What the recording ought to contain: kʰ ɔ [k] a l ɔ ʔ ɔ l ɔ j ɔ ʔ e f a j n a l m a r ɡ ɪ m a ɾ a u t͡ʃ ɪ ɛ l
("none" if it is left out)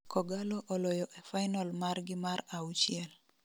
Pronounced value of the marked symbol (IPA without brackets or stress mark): ɡ